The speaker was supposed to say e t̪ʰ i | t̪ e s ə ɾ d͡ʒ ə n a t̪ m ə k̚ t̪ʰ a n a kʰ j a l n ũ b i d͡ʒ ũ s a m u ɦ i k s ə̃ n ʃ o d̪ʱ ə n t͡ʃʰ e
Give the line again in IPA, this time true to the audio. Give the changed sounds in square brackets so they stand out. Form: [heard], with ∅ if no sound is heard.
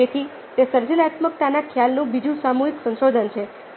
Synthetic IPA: e t̪ʰ i | t̪ e s ə ɾ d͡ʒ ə n a t̪ m ə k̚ [t̪] a n a kʰ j a l n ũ b i d͡ʒ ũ s a m u ɦ i k s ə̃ n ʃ o d̪ʱ ə n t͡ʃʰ e